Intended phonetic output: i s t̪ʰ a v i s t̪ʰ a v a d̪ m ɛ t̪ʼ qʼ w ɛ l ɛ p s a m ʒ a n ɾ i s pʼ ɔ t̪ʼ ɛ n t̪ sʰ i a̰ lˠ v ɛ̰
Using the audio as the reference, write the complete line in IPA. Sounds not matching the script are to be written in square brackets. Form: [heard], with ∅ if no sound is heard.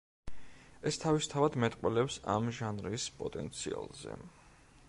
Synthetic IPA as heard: [ɛ] s t̪ʰ a v i s t̪ʰ a v a d̪ m ɛ t̪ʼ qʼ w ɛ l ɛ p s a m ʒ a n ɾ i s pʼ ɔ t̪ʼ ɛ n t̪ sʰ i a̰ lˠ [z] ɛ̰